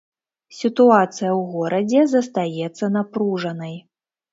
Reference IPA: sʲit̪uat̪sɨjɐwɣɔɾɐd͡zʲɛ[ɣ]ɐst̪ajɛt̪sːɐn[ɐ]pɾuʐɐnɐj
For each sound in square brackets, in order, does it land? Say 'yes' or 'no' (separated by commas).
no, no